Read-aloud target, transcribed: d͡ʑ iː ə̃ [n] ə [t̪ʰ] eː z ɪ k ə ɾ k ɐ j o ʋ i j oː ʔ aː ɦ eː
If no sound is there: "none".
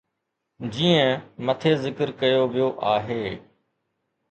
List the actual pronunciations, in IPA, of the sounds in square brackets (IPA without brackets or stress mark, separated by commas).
m, t̪ʰ